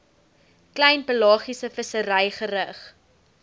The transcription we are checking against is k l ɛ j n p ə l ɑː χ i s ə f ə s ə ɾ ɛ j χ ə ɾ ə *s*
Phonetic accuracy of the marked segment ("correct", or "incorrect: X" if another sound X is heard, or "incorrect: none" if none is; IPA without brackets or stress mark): incorrect: χ